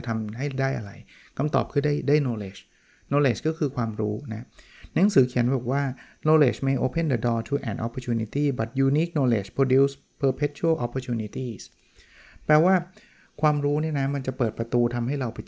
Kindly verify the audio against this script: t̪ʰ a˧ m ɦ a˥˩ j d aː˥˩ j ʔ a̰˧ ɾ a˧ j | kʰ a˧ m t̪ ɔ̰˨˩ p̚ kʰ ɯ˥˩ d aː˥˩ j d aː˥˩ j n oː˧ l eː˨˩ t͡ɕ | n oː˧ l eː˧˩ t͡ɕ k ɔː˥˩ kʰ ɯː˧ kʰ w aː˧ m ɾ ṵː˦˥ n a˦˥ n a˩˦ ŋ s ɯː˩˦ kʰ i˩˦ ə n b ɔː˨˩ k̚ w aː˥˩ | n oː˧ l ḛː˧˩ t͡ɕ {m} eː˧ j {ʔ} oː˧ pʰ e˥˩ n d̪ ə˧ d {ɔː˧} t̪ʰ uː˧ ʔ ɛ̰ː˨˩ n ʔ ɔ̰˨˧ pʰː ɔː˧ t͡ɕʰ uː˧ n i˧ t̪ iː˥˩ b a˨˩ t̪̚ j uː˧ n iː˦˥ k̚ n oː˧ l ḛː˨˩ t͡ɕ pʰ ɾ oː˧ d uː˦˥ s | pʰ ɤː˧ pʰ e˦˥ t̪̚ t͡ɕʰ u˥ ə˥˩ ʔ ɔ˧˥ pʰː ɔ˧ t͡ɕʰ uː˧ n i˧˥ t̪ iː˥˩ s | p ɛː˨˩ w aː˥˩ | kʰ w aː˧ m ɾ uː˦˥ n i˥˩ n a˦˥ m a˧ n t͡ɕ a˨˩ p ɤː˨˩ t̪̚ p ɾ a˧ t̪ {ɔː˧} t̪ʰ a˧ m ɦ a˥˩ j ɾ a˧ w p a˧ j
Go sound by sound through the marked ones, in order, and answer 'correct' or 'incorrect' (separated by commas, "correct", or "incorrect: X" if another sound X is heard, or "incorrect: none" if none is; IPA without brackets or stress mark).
correct, correct, correct, incorrect: uː˧